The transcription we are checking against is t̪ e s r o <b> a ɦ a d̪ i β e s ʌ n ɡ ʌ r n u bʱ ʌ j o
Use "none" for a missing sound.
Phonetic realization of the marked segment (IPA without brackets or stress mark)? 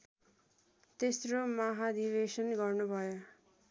m